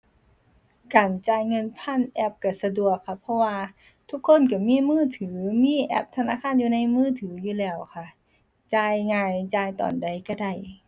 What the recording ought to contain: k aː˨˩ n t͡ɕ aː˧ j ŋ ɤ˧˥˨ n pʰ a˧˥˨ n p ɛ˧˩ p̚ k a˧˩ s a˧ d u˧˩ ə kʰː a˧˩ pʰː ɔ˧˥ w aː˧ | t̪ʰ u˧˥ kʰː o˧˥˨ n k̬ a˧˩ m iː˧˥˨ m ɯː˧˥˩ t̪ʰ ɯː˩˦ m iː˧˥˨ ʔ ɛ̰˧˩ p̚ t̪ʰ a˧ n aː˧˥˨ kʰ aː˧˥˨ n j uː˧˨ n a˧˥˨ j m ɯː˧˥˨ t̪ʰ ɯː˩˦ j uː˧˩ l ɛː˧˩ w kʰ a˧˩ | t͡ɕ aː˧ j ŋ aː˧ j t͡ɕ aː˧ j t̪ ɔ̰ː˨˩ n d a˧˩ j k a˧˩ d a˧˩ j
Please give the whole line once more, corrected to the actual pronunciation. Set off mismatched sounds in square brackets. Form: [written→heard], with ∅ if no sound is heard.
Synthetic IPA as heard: k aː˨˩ n t͡ɕ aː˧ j ŋ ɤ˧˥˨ n pʰ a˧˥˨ n [p→ʔ] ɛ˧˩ p̚ k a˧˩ s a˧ d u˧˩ ə kʰː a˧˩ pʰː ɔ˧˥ w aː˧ | t̪ʰ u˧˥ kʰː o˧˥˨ n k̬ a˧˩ m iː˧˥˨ m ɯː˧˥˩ t̪ʰ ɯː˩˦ m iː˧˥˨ ʔ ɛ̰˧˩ p̚ t̪ʰ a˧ n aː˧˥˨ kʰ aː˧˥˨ n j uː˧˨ n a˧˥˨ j m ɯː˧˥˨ t̪ʰ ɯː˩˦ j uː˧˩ l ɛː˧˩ w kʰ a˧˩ | t͡ɕ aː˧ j ŋ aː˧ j t͡ɕ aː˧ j t̪ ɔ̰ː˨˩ n d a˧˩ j k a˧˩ d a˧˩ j